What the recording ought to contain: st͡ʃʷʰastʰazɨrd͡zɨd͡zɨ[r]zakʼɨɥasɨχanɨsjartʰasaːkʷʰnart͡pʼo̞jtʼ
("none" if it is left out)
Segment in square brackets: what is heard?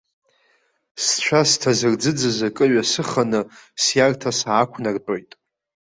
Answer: none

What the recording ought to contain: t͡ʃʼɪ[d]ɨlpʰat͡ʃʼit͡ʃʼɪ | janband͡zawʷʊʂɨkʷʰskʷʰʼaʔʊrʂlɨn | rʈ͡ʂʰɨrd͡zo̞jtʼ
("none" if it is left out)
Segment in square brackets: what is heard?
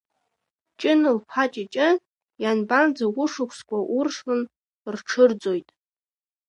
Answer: n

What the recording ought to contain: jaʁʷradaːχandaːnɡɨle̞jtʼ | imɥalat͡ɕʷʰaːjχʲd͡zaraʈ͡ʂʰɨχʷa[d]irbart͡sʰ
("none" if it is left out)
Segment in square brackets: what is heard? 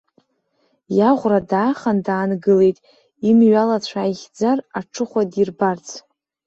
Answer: d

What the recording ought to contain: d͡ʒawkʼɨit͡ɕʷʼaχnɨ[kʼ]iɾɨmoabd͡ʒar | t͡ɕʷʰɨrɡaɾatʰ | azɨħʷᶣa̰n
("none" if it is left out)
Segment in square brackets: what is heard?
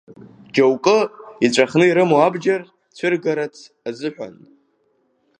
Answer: none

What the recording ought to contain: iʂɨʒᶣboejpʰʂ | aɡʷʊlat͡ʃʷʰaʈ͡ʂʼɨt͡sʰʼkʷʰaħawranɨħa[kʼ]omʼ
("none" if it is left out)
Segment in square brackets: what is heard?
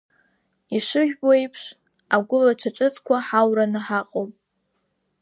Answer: qʼ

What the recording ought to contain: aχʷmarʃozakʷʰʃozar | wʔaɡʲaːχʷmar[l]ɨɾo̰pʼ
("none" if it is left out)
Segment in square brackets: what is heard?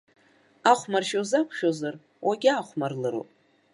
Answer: l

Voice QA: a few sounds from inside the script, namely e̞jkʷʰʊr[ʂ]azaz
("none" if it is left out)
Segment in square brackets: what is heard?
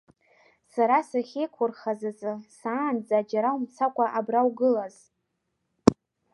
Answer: χ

